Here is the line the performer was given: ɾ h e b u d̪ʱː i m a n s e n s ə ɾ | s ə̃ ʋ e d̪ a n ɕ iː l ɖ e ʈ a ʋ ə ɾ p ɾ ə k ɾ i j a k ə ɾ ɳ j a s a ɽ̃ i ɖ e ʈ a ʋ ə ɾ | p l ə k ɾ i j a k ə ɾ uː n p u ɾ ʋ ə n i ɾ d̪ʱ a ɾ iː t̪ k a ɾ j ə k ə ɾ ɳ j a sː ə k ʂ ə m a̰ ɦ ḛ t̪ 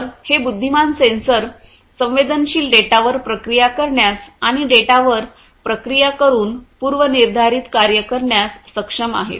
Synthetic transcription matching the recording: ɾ h e b u d̪ʱː i m a n s e n s ə ɾ | s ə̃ ʋ e d̪ ə n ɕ iː l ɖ e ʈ a ʋ ə ɾ p ɾ ə k ɾ i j a k ə ɾ ɳ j a s a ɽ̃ i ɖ e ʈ a ʋ ə ɾ | p ɾ ə k ɾ i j a k ə ɾ uː n p u ɾ ʋ ə n i ɾ d̪ʱ a ɾ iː t̪ k a ɾ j ə k ə ɾ ɳ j a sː ə k ʂ ə m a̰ ɦ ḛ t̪